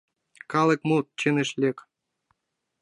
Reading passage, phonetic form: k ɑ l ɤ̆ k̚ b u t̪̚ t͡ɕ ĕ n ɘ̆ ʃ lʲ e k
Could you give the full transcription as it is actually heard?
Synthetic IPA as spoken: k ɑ l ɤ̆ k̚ m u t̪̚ t͡ɕ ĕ n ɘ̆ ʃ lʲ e k